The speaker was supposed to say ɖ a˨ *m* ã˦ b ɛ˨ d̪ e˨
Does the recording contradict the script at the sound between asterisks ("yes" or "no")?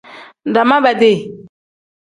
no